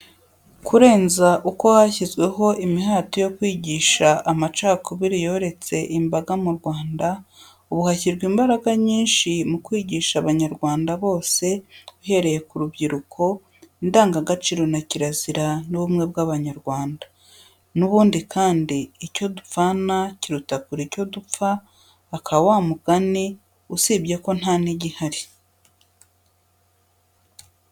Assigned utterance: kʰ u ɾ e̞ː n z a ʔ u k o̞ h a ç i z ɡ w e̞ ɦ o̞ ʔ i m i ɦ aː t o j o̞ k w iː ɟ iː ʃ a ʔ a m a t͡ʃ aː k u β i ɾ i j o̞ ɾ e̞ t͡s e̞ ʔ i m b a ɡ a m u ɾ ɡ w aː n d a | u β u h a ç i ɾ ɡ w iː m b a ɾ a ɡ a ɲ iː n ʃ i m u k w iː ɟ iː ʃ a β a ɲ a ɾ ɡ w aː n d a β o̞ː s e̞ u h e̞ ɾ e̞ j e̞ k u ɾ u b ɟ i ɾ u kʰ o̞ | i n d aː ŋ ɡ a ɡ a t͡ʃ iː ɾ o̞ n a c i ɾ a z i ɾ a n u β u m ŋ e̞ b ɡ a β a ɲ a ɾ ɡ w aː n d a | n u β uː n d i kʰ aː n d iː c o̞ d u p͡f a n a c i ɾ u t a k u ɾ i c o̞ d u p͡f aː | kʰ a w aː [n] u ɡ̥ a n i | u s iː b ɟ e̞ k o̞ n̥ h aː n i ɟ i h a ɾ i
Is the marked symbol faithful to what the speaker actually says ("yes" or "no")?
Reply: no